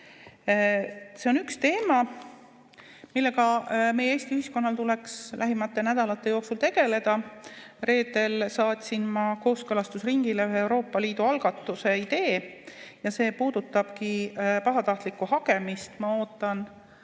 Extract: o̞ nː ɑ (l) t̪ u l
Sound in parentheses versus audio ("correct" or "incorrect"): correct